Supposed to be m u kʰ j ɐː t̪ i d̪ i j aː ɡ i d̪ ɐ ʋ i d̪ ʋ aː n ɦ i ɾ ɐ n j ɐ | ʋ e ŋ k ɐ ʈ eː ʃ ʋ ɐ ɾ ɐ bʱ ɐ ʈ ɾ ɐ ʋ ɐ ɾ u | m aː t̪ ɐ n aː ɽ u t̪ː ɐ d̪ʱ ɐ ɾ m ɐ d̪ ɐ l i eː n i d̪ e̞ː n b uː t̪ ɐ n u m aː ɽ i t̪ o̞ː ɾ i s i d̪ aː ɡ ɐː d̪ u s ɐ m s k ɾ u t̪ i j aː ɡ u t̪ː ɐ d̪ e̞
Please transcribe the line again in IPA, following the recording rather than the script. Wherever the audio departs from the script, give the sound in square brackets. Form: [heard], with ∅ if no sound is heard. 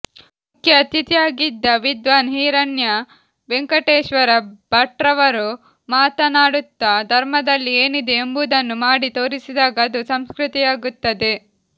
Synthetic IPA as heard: m u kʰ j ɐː t̪ i [t̪] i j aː ɡ i [d̪ː] ɐ ʋ i d̪ ʋ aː n ɦ [iː] ɾ ɐ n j ɐ | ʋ e ŋ k ɐ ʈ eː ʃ ʋ ɐ ɾ ɐ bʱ ɐ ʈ ɾ ɐ ʋ ɐ ɾ u | m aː t̪ ɐ n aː ɽ u t̪ː ɐ d̪ʱ ɐ ɾ m ɐ d̪ ɐ [lː] i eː n i d̪ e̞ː [m] b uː [d̪] ɐ [nː] u m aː ɽ i t̪ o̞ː ɾ i s i d̪ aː ɡ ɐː d̪ u s ɐ m s k ɾ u t̪ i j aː ɡ u t̪ː ɐ d̪ e̞

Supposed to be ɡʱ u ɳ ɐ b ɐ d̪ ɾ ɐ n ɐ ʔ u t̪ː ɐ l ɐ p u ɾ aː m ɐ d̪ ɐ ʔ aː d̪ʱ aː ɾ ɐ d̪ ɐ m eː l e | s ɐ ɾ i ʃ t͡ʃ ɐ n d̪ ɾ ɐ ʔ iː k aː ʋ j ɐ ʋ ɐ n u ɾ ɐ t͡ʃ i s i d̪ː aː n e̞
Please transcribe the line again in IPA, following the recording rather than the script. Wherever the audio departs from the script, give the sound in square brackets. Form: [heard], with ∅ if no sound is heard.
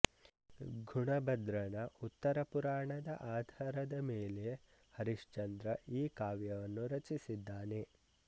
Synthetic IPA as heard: ɡʱ u ɳ ɐ b ɐ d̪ ɾ ɐ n ɐ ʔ u t̪ː ɐ [ɾ] ɐ p u ɾ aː [ɳ] ɐ d̪ ɐ ʔ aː d̪ʱ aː ɾ ɐ d̪ ɐ m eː l e | [h] ɐ ɾ i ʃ t͡ʃ ɐ n d̪ ɾ ɐ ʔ iː k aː ʋ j ɐ ʋ ɐ [nː] u ɾ ɐ t͡ʃ i s i d̪ː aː n e̞

